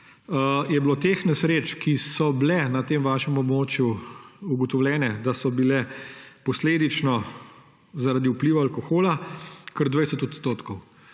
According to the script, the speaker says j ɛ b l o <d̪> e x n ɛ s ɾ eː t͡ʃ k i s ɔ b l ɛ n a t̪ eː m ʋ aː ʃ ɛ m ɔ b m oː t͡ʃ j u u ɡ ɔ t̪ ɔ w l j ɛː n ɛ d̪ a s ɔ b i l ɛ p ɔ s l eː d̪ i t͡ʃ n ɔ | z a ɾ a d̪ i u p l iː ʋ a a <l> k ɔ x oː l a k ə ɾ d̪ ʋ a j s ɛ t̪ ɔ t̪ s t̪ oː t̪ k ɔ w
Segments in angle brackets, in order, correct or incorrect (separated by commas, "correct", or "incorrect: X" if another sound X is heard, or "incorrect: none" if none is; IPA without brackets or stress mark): incorrect: t̪, correct